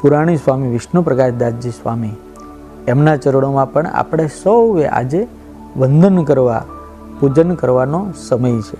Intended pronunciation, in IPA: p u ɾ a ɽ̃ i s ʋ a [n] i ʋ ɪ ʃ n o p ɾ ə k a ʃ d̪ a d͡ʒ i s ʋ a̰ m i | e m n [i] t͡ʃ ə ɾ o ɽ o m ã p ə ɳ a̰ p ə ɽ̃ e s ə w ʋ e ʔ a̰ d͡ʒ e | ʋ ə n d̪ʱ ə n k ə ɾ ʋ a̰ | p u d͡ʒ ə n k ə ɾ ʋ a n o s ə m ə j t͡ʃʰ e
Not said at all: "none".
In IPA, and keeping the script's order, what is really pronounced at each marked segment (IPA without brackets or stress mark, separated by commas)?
m, a